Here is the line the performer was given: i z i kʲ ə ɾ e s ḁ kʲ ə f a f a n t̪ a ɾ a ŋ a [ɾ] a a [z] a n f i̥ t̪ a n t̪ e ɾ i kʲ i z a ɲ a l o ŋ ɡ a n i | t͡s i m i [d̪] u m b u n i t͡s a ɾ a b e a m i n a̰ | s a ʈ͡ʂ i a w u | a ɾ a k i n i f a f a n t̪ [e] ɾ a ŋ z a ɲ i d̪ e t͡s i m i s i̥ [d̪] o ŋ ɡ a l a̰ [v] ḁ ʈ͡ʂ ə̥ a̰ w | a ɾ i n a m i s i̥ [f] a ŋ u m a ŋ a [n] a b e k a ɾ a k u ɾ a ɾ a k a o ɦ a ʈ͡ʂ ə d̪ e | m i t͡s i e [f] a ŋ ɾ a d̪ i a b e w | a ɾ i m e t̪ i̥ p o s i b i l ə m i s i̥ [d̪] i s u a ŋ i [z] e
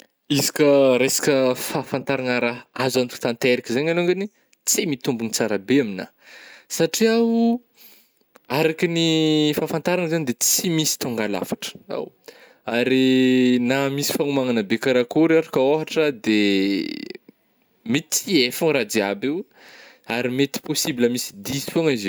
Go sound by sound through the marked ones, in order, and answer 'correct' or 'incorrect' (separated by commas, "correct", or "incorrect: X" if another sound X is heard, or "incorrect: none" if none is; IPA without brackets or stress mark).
correct, correct, incorrect: t̪, incorrect: a, incorrect: t̪, incorrect: f, correct, correct, correct, correct, correct